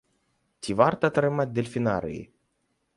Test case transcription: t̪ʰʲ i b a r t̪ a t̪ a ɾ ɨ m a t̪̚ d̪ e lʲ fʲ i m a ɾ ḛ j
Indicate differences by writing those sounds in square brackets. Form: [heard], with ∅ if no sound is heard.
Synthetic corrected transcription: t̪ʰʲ i [v] a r t̪ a t̪ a ɾ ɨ m a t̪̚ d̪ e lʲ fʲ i [n] a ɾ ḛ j